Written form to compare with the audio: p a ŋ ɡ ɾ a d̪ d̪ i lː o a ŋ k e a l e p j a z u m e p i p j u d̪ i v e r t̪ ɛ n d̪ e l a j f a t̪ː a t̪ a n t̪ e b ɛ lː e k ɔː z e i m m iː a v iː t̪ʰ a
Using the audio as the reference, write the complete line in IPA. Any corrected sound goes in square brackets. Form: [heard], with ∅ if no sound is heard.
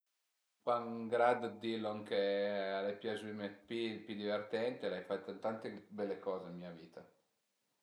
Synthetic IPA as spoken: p a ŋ ɡ ɾ a d̪ d̪ i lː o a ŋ k e a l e p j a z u m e p i p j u d̪ i v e r t̪ ɛ n [t̪] e l a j f a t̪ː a t̪ a n t̪ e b ɛ lː e k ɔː z e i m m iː a v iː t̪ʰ a